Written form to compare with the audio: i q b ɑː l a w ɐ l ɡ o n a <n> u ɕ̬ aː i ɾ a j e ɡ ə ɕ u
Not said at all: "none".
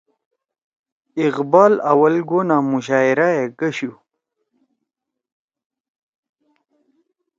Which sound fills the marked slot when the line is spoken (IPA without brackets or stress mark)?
m